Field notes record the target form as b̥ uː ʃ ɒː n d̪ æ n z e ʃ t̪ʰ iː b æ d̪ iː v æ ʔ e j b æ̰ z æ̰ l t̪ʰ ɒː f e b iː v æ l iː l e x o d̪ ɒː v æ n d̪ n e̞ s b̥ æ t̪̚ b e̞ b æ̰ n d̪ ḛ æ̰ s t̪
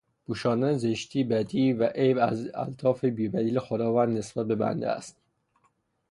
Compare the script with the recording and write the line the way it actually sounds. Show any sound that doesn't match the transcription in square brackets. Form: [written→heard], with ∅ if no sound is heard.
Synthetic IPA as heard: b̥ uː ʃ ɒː n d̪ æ n z e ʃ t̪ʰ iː b æ d̪ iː v æ ʔ e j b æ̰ z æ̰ l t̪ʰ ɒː f e b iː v æ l iː l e x o d̪ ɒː v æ n d̪ n e̞ s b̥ æ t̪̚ b e̞ b æ̰ n d̪ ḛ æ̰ s t̪

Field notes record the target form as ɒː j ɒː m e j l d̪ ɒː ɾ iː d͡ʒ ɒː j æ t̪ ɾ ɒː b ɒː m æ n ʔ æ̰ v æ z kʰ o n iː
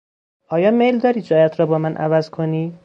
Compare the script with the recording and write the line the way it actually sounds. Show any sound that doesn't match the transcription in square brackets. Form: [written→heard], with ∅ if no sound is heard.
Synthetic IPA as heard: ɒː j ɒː m e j l d̪ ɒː ɾ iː d͡ʒ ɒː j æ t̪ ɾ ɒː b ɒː m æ n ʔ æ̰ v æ z kʰ o n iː

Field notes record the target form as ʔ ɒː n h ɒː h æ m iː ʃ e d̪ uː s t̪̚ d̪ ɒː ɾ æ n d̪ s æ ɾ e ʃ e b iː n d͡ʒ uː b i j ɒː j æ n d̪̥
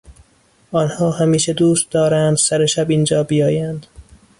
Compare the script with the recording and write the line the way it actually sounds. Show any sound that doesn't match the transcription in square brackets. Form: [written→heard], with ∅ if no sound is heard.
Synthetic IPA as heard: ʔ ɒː n h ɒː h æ m iː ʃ e d̪ uː s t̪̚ d̪ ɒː ɾ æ n d̪ s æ ɾ e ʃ [e→æ] b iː n d͡ʒ [uː→ɒː] b i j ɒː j æ n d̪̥

